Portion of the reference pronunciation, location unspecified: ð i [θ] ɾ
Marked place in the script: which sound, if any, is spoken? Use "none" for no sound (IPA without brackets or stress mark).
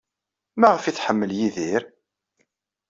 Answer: none